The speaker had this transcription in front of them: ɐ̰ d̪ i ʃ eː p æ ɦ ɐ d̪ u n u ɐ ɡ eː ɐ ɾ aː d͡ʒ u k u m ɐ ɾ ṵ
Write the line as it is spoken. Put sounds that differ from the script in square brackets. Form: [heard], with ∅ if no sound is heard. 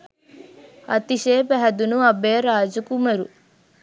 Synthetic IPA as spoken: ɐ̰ [t̪] i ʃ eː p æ ɦ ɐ d̪ u n u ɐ [b] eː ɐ ɾ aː d͡ʒ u k u m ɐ ɾ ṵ